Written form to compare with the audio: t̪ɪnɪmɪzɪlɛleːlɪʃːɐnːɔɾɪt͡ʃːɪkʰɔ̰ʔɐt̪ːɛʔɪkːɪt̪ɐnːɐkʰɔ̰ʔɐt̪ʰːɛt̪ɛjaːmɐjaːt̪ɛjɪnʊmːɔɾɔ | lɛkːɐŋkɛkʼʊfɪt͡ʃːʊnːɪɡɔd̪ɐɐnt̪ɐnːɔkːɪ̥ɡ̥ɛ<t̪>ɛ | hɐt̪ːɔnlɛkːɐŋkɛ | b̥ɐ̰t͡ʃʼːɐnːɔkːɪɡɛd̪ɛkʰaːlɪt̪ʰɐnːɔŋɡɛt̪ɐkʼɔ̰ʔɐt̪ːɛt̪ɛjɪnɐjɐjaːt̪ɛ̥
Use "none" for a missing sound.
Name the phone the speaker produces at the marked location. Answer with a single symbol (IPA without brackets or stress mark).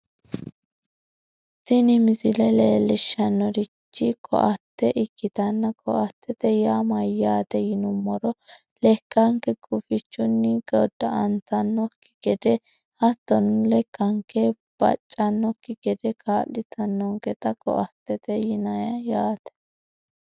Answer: d̪